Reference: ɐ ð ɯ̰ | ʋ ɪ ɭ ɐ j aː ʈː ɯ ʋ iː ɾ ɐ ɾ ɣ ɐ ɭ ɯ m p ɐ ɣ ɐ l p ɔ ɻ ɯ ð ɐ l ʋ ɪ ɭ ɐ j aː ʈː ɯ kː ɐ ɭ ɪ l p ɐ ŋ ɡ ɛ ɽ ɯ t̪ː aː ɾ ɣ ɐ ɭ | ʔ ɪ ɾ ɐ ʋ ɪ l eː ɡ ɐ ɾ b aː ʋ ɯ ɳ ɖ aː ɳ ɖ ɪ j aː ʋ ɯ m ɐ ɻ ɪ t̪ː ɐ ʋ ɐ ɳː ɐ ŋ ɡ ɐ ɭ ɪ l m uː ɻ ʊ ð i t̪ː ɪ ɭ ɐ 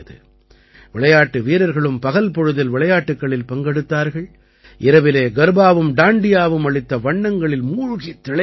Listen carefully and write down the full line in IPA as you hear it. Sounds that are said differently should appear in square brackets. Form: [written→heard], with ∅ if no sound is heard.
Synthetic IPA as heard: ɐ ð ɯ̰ | ʋ ɪ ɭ ɐ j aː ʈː ɯ ʋ iː ɾ ɐ ɾ ɣ ɐ ɭ ɯ m p ɐ ɣ ɐ l p ɔ ɻ ɯ ð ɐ l ʋ ɪ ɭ ɐ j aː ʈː ɯ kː ɐ ɭ ɪ l p ɐ ŋ ɡ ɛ ɽ ɯ t̪ː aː ɾ ɣ ɐ ɭ | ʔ ɪ ɾ ɐ ʋ ɪ l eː ɡ ɐ ɾ b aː ʋ ɯ [ɳ→m] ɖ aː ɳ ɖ ɪ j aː ʋ ɯ m ɐ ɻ ɪ t̪ː ɐ ʋ ɐ ɳː ɐ ŋ ɡ ɐ ɭ ɪ l m uː ɻ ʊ [ð→ɣ] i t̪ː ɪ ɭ ɐ